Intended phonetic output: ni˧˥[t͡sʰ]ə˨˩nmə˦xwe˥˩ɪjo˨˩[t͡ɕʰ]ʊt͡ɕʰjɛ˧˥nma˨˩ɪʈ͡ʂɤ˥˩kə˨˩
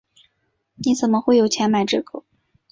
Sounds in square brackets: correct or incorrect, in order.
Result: incorrect, incorrect

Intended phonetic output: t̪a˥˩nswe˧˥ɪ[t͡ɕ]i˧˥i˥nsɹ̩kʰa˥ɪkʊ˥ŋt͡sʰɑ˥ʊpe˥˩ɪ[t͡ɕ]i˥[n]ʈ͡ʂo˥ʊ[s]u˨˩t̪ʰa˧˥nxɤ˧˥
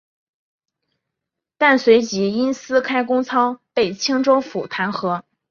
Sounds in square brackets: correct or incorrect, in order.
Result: correct, incorrect, incorrect, incorrect

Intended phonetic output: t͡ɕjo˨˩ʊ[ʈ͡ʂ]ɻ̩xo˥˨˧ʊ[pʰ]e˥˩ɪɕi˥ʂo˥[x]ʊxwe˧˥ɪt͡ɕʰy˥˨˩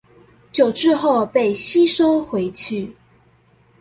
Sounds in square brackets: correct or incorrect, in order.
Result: correct, incorrect, incorrect

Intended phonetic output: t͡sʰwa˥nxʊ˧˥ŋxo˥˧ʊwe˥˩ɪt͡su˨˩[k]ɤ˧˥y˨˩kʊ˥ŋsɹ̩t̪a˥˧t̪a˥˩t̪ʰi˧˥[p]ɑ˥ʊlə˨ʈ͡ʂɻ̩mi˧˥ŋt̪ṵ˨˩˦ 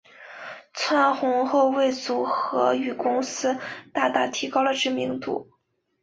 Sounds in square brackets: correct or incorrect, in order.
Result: incorrect, incorrect

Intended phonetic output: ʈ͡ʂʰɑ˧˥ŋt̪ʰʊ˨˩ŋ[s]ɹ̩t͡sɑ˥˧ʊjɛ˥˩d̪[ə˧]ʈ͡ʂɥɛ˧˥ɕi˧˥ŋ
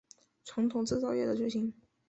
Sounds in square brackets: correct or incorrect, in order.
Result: incorrect, incorrect

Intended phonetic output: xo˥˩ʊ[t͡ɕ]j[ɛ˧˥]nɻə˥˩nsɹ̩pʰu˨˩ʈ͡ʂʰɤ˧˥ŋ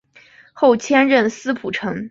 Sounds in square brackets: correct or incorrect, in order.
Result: incorrect, incorrect

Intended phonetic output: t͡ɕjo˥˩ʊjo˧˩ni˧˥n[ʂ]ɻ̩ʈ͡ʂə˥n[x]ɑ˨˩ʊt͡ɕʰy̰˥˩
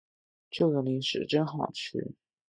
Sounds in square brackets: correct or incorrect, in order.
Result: correct, correct

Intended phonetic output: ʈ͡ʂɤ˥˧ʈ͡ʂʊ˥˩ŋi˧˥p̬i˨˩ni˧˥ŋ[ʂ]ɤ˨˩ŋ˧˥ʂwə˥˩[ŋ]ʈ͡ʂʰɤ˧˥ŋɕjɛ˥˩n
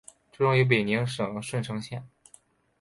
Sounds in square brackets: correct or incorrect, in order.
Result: correct, incorrect

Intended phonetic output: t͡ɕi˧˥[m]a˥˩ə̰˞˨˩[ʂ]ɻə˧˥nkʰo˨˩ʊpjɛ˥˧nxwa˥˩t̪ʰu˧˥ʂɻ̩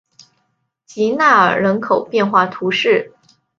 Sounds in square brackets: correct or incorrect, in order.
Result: incorrect, incorrect

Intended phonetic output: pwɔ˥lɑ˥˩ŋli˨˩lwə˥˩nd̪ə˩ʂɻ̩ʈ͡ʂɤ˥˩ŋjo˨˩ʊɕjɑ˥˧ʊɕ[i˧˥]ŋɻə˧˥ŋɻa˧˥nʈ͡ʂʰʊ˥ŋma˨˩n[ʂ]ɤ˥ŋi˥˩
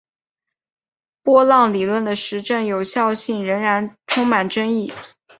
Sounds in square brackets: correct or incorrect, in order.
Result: incorrect, incorrect

